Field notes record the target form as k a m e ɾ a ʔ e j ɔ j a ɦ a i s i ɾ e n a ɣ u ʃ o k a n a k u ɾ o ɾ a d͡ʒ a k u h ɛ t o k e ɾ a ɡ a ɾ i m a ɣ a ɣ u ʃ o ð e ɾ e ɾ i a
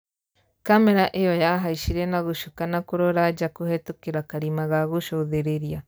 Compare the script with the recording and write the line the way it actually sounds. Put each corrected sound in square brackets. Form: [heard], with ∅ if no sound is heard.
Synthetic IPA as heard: k a m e ɾ a ʔ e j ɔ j a ɦ a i [ʃ] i ɾ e n a ɣ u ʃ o k a n a k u ɾ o ɾ a d͡ʒ a k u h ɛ t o k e ɾ a [k] a ɾ i m a ɣ a ɣ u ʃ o ð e ɾ e ɾ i a